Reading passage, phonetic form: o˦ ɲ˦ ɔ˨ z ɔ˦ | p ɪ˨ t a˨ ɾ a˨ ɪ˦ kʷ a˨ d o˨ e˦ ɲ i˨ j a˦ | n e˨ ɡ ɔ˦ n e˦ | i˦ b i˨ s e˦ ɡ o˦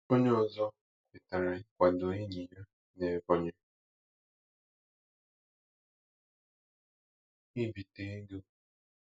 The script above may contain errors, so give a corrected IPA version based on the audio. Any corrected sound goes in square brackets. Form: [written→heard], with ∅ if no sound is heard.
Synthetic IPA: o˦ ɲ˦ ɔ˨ z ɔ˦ | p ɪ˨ t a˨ ɾ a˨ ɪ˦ kʷ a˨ d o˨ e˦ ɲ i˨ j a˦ | n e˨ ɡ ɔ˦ [n→ɲ] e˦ | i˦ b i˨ [s→t] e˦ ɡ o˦